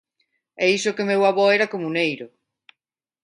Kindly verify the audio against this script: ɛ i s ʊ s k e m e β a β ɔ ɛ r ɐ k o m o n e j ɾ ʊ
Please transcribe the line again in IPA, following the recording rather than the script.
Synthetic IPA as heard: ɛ i s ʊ k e m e w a β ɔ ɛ ɾ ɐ k o m u n e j ɾ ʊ